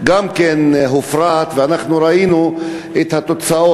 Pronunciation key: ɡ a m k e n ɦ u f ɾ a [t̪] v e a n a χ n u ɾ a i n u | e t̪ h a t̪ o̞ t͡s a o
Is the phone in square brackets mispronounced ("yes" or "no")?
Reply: no